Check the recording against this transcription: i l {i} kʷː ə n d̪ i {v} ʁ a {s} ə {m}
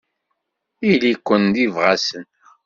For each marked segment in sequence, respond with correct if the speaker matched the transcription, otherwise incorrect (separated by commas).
correct, correct, correct, incorrect